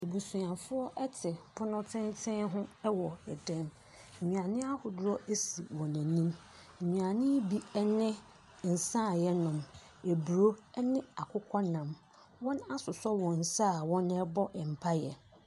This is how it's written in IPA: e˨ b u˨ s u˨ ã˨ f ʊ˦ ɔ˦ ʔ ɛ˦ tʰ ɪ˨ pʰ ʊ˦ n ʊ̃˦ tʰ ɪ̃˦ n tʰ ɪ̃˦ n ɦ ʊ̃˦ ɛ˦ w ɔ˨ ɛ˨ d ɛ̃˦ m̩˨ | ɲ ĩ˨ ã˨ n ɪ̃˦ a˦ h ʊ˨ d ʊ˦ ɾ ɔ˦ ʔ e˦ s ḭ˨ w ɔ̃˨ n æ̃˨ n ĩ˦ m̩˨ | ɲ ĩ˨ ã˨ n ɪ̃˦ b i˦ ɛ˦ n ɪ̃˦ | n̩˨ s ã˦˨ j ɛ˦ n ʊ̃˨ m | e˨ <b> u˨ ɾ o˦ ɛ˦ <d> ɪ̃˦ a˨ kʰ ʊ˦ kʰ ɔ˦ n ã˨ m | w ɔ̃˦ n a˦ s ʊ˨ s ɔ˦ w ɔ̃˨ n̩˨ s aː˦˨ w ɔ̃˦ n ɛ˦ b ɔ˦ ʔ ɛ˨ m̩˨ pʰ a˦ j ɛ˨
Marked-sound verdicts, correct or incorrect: correct, incorrect: n

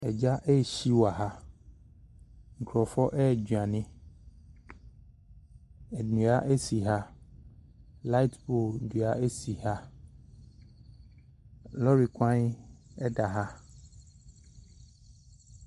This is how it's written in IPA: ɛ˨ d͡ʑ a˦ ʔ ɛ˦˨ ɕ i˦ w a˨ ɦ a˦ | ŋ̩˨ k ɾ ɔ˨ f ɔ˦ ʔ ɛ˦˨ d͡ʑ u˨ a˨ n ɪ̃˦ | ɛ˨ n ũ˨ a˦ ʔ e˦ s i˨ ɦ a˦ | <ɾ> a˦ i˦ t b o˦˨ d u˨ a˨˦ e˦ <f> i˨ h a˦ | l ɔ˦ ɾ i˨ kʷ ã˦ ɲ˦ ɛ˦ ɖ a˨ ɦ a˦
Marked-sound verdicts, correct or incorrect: incorrect: l, incorrect: s

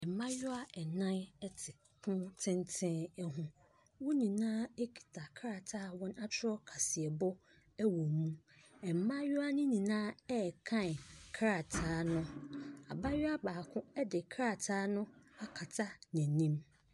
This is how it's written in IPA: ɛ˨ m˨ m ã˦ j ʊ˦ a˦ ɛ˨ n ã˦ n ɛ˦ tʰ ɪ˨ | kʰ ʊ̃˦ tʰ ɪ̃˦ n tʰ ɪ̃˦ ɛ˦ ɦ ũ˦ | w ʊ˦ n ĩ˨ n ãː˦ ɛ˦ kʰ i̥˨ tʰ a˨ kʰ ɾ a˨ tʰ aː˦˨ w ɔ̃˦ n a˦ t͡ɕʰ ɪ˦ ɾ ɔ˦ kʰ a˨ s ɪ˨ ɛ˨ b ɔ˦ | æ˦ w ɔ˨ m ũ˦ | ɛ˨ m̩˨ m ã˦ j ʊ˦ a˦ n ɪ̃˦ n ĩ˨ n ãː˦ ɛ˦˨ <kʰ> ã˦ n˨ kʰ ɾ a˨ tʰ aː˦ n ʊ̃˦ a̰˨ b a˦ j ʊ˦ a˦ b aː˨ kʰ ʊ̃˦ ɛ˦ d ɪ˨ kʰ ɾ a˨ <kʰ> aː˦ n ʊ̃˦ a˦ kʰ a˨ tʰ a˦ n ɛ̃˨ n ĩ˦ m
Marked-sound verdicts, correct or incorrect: correct, incorrect: tʰ

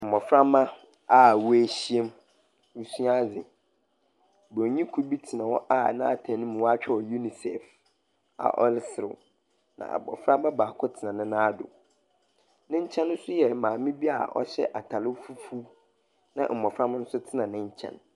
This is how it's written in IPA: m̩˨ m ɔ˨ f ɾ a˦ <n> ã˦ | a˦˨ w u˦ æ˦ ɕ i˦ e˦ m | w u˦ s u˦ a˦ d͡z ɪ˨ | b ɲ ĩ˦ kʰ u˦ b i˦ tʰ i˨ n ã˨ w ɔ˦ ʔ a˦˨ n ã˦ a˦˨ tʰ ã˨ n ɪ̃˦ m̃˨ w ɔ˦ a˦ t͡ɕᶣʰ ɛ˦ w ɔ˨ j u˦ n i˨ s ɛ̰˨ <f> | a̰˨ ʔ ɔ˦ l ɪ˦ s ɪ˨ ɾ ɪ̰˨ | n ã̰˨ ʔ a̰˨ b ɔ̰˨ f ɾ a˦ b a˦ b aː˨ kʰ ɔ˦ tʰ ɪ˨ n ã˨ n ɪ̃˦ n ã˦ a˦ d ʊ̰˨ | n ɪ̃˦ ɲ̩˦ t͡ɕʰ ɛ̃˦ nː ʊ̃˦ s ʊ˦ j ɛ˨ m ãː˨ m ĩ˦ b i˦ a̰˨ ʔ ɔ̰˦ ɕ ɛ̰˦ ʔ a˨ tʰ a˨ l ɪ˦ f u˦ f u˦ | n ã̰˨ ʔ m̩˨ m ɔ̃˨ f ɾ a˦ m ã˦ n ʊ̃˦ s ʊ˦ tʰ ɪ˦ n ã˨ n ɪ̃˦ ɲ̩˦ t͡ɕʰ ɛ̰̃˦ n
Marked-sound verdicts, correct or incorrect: incorrect: m, correct

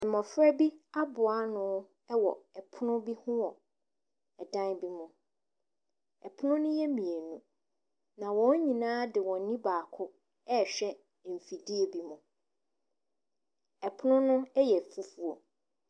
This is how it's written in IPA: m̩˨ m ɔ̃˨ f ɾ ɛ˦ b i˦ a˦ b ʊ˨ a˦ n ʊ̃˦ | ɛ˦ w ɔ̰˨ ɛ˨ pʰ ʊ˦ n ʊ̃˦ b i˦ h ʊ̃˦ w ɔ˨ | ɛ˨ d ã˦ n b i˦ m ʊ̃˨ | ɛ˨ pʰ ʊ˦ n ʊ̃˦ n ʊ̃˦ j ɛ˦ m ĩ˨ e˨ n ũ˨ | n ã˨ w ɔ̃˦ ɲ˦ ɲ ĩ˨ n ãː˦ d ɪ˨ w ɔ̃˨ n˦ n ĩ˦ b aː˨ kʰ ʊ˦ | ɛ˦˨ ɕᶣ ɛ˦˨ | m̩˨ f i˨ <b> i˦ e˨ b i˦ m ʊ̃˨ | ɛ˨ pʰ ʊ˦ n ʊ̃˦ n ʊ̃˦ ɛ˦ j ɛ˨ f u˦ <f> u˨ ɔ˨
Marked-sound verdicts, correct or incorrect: incorrect: d, correct

